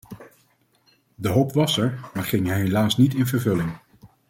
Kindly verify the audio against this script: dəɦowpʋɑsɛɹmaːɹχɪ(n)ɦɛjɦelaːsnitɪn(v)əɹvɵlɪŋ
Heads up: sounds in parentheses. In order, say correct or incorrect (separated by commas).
incorrect, correct